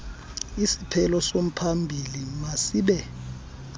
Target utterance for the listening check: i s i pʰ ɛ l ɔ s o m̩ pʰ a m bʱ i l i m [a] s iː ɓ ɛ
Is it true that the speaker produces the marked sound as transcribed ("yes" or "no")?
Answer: yes